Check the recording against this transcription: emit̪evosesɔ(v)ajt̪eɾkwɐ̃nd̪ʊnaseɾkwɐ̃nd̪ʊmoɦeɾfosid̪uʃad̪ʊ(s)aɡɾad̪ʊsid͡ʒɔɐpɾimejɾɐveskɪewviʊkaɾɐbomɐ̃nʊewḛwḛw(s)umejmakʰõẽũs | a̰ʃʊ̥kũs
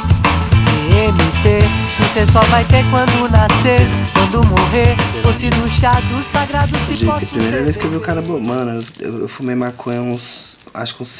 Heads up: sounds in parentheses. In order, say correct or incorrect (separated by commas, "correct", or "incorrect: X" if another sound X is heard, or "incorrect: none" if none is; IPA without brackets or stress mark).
correct, correct, incorrect: f